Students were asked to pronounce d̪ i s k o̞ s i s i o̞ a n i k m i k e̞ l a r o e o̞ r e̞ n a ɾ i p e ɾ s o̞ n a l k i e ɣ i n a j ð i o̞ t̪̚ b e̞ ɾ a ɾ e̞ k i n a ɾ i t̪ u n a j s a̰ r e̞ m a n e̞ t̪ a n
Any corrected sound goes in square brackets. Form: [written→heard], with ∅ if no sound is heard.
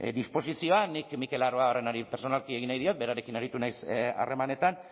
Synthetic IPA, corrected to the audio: d̪ i s [k→p] o̞ s i s i o̞ a n i k m i k e̞ l a r o [e→a] o̞ r e̞ n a ɾ i p e ɾ s o̞ n a l k i e ɣ i n a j ð i o̞ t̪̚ b e̞ ɾ a ɾ e̞ k i n a ɾ i t̪ u n a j s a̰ r e̞ m a n e̞ t̪ a n